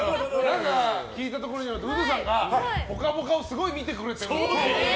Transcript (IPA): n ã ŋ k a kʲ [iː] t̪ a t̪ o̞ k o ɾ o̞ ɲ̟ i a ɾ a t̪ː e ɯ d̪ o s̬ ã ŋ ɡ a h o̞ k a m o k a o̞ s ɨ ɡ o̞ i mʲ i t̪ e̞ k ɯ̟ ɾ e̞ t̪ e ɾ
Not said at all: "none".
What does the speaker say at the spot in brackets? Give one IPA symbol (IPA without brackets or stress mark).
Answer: iː